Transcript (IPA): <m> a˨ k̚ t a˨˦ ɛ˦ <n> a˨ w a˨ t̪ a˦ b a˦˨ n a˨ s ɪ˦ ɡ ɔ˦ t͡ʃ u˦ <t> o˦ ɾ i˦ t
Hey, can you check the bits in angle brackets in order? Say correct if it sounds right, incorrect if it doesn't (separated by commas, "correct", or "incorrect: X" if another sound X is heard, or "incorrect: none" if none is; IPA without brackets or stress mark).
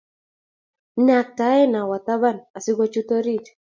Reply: incorrect: n, correct, correct